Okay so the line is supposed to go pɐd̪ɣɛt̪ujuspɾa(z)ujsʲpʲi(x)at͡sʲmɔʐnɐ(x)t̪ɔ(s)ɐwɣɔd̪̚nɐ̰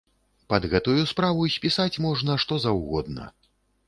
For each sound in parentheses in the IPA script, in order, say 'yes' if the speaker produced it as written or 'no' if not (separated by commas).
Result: no, no, no, no